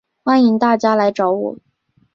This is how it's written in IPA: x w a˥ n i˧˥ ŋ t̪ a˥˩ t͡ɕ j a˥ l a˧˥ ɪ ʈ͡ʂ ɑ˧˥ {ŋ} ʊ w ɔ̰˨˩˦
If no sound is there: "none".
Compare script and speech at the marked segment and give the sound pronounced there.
none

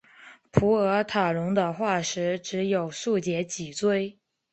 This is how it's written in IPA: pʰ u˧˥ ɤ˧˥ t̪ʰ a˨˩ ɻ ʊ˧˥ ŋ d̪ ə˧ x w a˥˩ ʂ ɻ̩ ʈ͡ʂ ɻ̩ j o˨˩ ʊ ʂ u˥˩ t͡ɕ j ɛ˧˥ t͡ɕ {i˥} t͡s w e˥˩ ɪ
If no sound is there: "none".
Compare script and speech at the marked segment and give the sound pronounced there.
i˨˩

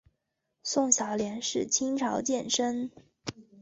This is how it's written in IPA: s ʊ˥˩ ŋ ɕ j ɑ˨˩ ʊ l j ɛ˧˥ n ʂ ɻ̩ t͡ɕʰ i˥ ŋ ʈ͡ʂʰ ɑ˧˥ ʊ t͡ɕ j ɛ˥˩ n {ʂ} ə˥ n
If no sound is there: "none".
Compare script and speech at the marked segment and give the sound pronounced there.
ʂ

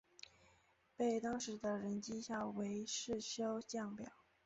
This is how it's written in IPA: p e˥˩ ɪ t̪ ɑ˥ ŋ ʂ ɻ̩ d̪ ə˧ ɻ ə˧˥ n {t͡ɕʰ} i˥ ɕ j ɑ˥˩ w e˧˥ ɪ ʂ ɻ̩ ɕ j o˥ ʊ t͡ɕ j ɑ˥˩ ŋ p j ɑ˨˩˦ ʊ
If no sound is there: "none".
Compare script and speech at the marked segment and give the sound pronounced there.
t͡ɕ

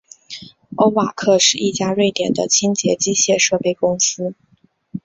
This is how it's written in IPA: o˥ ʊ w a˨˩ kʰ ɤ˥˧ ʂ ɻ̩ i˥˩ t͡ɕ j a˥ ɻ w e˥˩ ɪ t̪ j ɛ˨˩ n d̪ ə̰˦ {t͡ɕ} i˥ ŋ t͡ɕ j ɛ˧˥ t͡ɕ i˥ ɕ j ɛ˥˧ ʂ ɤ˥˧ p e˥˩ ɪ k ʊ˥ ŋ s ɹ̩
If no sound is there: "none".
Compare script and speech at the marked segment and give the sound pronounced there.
t͡ɕʰ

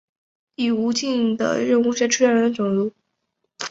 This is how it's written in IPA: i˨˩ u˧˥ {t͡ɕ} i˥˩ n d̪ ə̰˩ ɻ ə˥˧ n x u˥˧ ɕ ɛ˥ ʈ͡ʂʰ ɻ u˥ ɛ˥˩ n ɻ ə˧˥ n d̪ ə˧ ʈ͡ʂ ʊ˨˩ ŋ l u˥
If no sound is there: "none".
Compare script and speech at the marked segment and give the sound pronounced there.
t͡ɕ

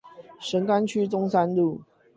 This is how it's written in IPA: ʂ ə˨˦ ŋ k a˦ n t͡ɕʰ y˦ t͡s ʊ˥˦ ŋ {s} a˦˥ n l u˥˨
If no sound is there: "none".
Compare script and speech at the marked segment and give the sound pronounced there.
s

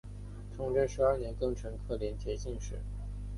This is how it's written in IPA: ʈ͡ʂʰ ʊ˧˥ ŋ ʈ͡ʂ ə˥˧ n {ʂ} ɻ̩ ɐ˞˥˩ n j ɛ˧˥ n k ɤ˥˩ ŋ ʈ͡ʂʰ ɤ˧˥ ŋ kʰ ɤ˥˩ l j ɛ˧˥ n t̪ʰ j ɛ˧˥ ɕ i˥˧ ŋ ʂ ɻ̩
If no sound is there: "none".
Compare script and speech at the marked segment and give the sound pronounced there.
ʂ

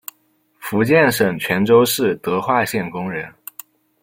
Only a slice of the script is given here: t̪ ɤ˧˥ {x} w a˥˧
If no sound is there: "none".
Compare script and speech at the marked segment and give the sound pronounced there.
x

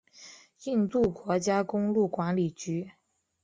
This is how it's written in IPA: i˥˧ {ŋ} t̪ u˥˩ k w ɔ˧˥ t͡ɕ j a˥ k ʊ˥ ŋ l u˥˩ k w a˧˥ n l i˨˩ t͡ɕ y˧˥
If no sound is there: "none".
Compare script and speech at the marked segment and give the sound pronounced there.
n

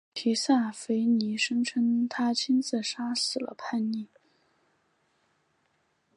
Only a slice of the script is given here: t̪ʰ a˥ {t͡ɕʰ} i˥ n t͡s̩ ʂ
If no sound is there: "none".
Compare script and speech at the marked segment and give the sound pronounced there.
t͡ɕʰ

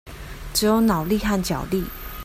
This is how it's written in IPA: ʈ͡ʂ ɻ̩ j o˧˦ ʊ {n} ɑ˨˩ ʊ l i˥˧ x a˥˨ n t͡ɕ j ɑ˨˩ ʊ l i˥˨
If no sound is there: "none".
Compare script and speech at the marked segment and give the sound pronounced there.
n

